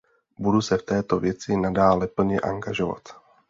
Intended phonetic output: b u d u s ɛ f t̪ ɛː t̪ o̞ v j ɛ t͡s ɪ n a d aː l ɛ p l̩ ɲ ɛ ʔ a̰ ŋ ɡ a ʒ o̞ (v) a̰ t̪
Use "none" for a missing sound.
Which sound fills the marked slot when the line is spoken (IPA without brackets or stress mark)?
v